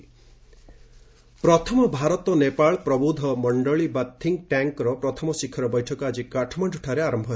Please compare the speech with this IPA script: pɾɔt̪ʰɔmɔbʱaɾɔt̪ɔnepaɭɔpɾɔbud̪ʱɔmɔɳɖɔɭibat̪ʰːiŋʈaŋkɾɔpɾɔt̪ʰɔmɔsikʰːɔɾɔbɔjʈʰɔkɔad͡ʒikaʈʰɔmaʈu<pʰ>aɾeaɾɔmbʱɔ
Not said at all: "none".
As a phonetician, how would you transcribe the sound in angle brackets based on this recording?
ʈʰ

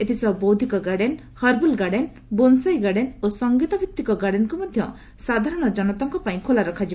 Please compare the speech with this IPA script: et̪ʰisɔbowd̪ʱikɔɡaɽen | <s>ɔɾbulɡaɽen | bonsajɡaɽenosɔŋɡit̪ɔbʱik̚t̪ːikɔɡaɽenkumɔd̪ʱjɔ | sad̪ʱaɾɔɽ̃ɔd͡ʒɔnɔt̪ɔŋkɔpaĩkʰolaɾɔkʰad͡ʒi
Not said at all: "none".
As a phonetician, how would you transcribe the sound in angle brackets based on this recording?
h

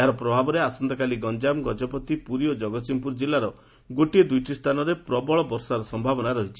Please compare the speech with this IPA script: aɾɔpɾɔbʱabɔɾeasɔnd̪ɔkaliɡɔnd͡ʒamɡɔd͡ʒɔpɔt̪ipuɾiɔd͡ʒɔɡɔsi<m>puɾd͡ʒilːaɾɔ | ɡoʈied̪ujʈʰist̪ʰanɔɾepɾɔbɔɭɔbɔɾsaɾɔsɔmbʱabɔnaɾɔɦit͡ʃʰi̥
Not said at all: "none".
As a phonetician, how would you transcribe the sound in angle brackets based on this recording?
m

